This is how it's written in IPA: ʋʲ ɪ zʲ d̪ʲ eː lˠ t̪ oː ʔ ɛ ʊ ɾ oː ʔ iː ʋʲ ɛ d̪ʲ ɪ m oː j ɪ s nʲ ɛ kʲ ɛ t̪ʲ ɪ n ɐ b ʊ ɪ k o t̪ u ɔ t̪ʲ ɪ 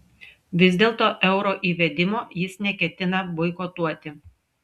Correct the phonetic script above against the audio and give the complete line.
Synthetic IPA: ʋʲ ɪ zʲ d̪ʲ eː lˠ t̪ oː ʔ ɛ ʊ ɾ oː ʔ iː ʋʲ ɛ d̪ʲ ɪ m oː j ɪ s nʲ ɛ kʲ ɛ t̪ʲ ɪ n ɐ b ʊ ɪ k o t̪ u ɔ t̪ʲ ɪ